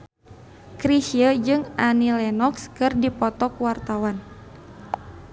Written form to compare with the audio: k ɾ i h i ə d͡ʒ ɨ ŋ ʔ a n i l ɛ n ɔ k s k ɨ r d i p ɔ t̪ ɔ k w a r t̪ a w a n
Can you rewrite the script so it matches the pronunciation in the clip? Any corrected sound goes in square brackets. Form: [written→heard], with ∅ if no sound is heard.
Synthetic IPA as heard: k ɾ i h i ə d͡ʒ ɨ ŋ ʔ a n i l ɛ n ɔ k s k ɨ r d i p ɔ t̪ ɔ k w a r t̪ a w a n